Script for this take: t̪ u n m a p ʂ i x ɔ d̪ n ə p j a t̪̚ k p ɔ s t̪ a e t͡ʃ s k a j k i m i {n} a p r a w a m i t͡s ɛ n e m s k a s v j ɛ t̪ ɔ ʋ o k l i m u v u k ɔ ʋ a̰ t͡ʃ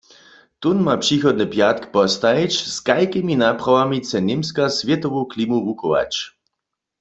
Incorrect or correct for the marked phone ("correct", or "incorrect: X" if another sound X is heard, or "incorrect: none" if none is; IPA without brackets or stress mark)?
correct